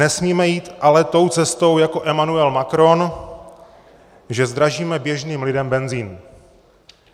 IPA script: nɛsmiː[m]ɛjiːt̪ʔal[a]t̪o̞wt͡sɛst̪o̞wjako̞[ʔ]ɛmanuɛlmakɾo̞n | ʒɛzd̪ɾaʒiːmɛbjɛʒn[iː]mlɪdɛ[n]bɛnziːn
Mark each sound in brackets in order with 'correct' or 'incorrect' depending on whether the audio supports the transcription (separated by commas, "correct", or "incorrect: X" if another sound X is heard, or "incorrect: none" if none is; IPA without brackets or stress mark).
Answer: correct, incorrect: ɛ, correct, correct, incorrect: m